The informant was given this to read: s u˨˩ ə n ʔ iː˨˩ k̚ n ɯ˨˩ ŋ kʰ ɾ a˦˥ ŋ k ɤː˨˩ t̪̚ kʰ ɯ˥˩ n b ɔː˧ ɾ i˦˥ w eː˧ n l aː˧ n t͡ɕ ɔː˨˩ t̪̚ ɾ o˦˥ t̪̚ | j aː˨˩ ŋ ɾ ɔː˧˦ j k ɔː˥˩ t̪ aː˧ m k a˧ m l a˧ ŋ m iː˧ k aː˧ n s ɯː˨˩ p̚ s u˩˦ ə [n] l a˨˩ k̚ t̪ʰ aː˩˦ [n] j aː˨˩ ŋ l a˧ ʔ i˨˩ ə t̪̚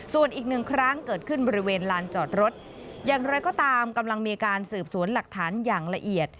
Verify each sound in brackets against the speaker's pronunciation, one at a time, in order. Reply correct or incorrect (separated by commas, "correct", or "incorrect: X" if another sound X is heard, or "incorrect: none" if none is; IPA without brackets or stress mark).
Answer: correct, correct